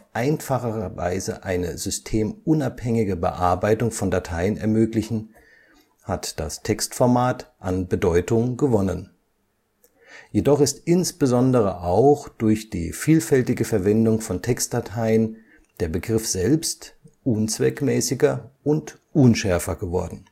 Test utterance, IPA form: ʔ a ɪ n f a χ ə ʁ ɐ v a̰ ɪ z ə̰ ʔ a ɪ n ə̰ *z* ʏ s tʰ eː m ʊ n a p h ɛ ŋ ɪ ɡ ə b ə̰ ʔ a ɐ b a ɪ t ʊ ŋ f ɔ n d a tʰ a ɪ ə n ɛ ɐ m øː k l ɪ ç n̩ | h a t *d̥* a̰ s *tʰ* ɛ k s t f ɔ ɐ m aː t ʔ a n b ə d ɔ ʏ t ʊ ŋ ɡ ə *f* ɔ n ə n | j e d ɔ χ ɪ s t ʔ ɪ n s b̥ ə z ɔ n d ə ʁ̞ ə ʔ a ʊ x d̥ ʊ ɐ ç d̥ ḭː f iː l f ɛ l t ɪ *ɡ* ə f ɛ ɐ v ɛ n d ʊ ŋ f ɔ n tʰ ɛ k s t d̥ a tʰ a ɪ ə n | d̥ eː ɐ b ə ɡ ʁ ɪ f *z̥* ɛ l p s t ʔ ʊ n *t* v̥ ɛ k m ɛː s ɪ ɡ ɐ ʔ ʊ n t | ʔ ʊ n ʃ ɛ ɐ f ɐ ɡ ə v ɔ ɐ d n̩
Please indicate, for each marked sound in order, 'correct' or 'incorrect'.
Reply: correct, correct, correct, incorrect: v, correct, correct, incorrect: t͡s

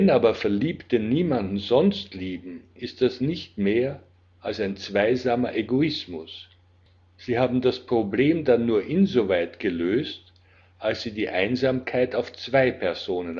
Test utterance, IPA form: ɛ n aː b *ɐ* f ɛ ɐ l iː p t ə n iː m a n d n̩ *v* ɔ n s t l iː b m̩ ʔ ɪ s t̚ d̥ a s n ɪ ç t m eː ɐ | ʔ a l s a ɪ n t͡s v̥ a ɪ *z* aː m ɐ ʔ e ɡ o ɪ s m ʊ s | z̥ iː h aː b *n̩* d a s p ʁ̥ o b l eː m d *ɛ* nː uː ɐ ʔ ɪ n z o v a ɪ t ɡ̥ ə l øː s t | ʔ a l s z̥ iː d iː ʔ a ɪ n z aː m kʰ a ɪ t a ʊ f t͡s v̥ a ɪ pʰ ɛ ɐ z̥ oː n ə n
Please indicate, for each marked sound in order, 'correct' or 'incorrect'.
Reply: correct, incorrect: z, correct, incorrect: m̩, incorrect: a

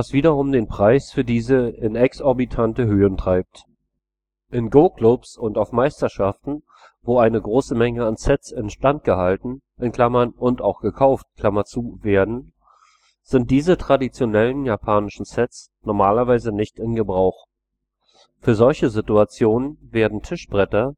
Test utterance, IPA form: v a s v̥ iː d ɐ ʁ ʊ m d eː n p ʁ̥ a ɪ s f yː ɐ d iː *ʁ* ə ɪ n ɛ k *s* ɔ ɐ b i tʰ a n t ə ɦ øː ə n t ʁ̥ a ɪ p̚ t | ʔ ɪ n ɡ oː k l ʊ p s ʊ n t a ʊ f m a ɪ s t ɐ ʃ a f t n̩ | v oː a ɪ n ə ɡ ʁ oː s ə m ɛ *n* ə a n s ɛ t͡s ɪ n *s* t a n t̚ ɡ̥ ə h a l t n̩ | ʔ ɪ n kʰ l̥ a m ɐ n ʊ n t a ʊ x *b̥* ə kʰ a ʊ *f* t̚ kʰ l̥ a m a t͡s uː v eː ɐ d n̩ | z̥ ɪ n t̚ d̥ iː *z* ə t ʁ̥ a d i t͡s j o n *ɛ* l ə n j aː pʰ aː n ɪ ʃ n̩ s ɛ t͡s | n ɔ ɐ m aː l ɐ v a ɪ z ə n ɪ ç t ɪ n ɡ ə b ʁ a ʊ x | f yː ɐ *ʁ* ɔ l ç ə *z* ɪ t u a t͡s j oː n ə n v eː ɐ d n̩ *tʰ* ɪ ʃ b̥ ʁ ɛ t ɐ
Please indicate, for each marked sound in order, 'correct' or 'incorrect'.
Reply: incorrect: z, correct, incorrect: ŋ, incorrect: ʃ, incorrect: ɡ̥, correct, correct, correct, incorrect: z, correct, correct

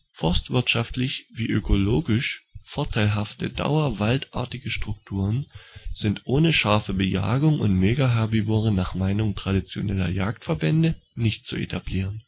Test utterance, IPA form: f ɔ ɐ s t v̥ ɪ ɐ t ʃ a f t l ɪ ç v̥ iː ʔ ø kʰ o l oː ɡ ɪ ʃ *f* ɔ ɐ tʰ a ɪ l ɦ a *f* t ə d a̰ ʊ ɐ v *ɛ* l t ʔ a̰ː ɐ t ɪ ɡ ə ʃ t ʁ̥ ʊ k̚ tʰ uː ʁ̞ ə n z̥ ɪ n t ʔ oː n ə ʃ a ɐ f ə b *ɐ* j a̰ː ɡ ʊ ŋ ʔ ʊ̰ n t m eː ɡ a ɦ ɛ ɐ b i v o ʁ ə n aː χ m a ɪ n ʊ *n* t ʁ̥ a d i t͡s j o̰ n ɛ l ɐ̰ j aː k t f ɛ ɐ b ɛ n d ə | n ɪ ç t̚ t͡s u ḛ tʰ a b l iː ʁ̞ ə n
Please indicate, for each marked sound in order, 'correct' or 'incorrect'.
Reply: correct, correct, incorrect: a, incorrect: ə, incorrect: ŋ

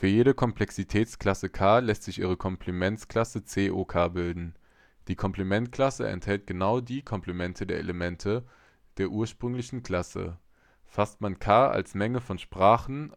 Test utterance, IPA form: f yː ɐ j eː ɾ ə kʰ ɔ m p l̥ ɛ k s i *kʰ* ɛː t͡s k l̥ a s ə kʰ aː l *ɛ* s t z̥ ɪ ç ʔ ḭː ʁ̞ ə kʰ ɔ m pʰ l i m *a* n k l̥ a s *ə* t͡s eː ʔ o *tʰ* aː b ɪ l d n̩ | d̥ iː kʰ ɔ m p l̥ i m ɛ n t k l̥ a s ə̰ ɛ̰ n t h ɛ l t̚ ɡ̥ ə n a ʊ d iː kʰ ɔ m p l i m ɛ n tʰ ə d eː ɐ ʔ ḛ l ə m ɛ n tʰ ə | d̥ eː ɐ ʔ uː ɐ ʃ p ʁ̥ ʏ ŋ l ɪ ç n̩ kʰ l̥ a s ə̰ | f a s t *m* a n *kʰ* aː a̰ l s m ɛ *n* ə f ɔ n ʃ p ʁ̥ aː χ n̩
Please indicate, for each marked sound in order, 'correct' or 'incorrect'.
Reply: incorrect: tʰ, correct, incorrect: ɛ, correct, incorrect: kʰ, correct, correct, incorrect: ŋ

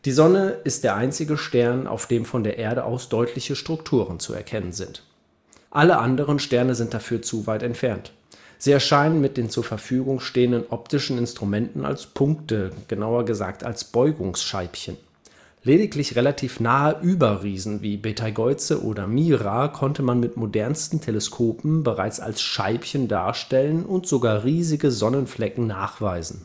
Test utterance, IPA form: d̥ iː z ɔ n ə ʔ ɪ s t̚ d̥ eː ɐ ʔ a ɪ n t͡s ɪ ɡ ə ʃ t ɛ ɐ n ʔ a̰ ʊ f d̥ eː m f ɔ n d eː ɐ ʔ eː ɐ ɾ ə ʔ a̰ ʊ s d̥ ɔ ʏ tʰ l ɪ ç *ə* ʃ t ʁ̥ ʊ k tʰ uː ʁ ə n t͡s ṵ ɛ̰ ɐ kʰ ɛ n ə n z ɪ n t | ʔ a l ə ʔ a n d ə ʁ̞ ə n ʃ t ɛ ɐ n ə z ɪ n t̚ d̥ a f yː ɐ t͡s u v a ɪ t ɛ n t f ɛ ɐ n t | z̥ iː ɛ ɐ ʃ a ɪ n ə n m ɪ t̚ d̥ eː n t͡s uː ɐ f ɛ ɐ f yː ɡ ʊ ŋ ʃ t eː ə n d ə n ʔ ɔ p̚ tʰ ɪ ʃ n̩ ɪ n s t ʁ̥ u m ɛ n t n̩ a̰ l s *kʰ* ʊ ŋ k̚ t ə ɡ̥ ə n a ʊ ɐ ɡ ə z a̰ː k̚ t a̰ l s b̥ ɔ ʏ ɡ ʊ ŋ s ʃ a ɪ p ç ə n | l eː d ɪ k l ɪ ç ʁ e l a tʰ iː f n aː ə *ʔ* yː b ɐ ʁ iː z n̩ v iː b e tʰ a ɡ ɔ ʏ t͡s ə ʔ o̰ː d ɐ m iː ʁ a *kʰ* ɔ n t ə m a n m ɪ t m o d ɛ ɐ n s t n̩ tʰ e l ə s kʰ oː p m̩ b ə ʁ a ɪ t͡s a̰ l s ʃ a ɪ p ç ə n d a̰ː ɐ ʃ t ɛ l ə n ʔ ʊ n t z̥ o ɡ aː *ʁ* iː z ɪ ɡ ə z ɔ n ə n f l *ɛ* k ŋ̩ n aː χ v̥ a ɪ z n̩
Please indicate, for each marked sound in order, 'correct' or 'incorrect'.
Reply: correct, incorrect: pʰ, correct, correct, correct, correct

